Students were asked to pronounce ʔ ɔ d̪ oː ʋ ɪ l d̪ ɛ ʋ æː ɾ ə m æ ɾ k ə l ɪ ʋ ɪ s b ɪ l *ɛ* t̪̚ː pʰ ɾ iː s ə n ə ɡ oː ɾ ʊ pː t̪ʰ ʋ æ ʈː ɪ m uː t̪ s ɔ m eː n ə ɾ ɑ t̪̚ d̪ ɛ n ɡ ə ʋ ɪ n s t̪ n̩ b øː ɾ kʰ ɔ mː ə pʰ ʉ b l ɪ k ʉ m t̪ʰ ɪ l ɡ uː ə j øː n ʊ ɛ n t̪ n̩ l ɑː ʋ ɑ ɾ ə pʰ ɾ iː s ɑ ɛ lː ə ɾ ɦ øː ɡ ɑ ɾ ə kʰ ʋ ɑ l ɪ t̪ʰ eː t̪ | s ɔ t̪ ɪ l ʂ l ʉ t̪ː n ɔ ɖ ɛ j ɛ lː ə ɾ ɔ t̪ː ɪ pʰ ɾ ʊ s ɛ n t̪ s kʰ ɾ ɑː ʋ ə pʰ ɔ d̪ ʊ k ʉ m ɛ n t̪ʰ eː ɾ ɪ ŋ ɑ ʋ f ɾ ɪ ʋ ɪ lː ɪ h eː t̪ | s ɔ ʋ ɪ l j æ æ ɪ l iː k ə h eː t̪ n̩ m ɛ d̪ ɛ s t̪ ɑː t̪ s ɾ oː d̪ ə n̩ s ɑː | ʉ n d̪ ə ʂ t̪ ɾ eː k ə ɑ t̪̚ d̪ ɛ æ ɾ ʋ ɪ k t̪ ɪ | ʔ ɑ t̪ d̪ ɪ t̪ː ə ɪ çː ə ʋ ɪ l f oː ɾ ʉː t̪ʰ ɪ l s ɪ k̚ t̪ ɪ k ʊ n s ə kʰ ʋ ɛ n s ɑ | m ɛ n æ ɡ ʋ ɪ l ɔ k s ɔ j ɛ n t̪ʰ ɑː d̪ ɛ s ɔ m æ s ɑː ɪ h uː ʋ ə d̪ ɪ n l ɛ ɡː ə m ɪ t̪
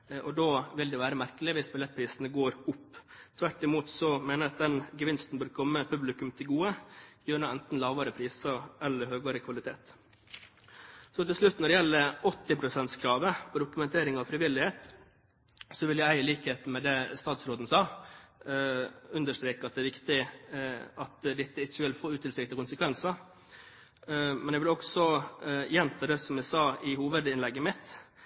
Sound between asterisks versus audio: correct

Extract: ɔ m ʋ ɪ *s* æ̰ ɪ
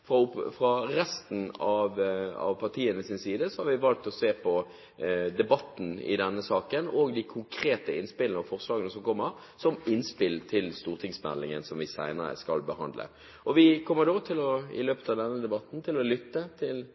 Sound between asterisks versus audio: correct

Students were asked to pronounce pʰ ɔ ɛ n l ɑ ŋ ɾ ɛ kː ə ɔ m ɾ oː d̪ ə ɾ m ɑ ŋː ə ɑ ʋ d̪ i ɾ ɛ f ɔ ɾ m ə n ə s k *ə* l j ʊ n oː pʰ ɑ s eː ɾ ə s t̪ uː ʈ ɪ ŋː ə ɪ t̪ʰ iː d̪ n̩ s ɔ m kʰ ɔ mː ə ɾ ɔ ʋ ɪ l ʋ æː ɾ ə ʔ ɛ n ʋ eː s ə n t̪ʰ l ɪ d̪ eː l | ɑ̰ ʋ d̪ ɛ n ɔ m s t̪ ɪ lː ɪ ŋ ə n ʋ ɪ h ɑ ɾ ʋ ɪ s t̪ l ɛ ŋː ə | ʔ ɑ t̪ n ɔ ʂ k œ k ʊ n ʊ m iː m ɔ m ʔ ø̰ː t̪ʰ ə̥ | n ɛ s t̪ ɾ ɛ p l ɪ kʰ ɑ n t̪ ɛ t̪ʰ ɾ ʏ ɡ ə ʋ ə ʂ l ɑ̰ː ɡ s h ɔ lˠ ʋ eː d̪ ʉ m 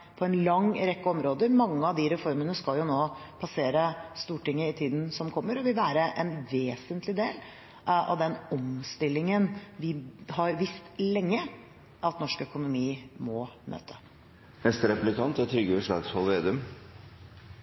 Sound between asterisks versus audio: incorrect: ɑ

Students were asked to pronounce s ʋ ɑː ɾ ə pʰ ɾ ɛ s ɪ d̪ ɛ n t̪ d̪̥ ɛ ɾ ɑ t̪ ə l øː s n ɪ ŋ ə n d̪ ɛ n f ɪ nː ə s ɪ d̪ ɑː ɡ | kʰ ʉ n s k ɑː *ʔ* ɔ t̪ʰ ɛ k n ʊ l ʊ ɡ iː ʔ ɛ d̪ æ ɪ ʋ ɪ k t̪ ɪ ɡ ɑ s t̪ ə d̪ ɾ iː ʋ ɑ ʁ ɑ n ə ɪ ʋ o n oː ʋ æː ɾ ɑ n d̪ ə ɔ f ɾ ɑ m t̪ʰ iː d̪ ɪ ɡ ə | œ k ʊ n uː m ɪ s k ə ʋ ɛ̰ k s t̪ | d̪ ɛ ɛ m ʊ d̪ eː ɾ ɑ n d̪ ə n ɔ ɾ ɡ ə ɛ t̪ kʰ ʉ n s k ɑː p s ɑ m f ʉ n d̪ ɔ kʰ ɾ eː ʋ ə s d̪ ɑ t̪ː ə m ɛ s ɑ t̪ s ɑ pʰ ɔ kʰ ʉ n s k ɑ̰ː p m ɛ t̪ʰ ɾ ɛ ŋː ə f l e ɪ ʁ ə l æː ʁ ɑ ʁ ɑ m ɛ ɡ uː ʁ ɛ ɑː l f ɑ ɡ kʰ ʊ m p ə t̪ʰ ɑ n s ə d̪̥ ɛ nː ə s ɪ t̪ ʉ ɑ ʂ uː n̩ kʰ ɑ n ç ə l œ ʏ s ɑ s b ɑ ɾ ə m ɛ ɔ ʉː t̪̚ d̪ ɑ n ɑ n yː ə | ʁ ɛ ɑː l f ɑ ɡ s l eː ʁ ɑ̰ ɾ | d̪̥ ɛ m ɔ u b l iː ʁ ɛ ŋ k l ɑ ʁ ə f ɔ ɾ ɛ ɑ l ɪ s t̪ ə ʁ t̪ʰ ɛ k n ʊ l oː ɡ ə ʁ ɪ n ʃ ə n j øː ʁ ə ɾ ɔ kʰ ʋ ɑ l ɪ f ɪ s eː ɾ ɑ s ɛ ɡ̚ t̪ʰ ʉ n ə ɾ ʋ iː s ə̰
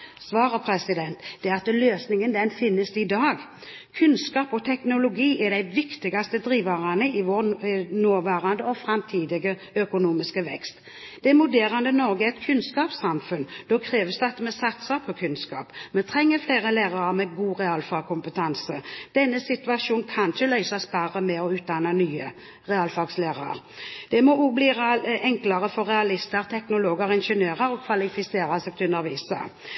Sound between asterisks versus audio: incorrect: p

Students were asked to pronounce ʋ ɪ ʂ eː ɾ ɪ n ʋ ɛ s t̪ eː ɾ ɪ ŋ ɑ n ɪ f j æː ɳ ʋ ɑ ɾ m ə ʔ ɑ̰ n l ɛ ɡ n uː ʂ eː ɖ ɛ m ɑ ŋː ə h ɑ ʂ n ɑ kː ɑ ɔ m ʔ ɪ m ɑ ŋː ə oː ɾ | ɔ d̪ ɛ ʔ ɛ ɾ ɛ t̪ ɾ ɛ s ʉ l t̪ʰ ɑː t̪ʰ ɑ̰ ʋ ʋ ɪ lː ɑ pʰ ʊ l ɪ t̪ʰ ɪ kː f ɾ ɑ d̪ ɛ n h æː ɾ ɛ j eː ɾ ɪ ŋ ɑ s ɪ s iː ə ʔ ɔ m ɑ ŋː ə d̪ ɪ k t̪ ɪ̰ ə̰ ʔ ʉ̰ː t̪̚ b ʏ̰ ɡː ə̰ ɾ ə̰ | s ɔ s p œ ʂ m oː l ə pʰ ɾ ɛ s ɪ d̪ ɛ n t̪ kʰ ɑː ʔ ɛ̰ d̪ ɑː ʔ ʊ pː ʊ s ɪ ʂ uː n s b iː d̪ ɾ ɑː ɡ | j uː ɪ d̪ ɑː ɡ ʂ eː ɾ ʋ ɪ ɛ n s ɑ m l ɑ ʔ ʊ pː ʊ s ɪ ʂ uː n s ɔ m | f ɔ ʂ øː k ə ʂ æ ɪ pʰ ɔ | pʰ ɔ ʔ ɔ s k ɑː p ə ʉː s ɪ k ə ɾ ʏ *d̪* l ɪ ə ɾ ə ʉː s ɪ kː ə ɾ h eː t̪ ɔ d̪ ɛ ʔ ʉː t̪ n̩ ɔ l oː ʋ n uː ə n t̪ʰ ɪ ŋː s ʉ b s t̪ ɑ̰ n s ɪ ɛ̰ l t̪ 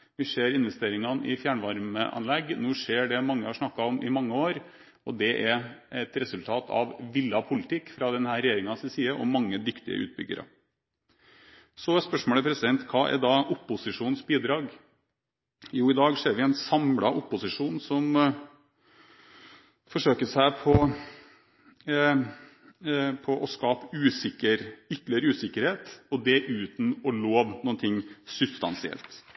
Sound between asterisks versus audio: incorrect: t̪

